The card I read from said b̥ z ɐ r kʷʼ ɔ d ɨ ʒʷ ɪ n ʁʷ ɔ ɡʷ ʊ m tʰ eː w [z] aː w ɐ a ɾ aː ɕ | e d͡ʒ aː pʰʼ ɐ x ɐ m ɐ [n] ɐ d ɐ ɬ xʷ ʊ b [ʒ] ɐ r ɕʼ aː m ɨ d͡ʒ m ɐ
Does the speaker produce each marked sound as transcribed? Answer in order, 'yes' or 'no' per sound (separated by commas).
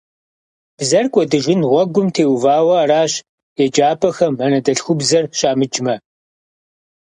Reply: no, yes, no